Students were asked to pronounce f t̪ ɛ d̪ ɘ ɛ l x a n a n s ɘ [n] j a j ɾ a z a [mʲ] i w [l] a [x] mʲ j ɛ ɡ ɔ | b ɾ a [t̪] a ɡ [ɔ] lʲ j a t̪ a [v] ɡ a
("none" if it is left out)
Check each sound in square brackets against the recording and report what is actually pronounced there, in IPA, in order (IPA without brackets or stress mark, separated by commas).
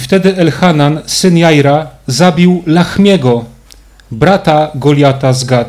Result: n, bʲ, l, x, t̪, ɔ, z